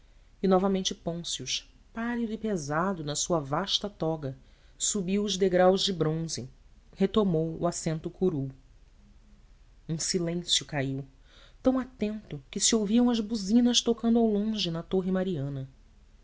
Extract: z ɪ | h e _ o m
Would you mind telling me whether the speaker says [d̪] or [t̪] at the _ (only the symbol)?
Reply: t̪